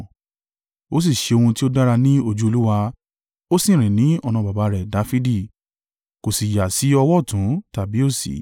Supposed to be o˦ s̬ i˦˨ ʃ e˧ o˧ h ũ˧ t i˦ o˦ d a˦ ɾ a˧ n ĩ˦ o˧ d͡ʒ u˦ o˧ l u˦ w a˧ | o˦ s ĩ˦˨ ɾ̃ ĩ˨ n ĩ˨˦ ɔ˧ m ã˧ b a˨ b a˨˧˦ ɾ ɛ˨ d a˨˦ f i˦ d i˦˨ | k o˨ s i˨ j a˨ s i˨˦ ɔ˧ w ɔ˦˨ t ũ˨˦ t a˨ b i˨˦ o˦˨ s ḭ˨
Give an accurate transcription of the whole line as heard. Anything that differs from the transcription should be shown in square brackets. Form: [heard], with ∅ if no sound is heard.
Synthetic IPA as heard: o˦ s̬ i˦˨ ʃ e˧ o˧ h ũ˧ t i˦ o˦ d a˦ ɾ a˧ n ĩ˦ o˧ d͡ʒ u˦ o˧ l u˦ w a˧ | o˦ s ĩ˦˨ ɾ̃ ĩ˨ n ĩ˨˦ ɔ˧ [n] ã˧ b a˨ b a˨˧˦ ɾ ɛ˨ d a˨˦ f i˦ d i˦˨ | k o˨ s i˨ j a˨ s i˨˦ ɔ˧ w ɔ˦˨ t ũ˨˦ t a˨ b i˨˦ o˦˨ s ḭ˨